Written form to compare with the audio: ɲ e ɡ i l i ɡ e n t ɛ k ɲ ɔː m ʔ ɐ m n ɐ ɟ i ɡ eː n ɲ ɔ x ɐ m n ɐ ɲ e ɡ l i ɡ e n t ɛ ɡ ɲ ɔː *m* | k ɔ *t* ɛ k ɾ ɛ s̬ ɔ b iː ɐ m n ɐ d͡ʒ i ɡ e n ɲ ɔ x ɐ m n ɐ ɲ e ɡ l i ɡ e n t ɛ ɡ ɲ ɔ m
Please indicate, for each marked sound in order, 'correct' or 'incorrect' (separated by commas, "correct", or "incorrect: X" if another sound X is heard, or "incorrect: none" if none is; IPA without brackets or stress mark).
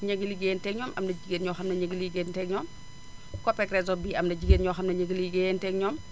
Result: correct, incorrect: p